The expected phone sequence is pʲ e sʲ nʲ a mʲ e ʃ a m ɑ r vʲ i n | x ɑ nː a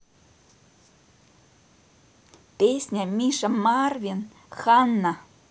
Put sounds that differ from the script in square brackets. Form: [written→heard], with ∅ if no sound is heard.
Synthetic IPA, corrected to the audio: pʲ e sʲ nʲ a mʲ [e→i] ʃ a m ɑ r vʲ i n | x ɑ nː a

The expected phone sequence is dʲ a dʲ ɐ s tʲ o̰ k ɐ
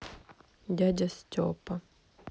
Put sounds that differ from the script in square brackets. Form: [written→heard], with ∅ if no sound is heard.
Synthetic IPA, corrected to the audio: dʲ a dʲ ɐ s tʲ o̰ [k→p] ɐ

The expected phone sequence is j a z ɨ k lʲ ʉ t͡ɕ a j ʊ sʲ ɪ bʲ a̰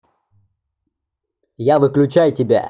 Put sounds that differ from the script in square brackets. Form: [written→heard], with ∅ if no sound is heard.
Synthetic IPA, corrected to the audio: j a [z→v] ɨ k lʲ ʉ t͡ɕ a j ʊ [sʲ→tʲ] ɪ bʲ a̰

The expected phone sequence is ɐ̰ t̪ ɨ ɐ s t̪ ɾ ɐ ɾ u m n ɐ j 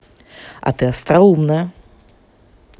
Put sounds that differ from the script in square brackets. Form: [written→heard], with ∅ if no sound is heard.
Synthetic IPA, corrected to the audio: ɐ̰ t̪ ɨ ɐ s t̪ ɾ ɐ [ɾ→∅] u m n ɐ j

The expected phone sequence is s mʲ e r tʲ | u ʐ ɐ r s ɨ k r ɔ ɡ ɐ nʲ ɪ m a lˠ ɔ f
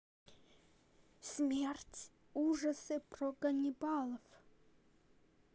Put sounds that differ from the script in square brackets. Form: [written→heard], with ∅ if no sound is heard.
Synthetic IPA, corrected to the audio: s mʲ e r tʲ | u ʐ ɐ [r→∅] s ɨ [k→p] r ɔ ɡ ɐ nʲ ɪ [m→b] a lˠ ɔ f

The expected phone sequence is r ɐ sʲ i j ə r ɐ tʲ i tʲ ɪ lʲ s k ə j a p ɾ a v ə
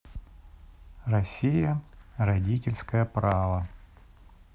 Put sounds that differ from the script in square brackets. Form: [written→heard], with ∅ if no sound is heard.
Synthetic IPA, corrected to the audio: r ɐ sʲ i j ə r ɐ [tʲ→dʲ] i tʲ ɪ lʲ s k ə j [a→ə] p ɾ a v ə

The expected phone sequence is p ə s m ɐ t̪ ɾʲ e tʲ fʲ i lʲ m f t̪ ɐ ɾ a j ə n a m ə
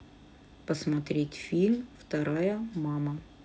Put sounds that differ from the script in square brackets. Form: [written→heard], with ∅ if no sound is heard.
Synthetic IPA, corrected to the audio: p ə s m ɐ t̪ ɾʲ e tʲ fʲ i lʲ m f t̪ ɐ ɾ a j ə [n→m] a m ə

